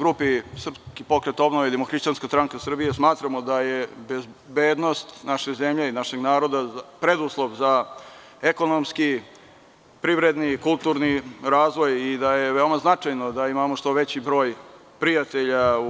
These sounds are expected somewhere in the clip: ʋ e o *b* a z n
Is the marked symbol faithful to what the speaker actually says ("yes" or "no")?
no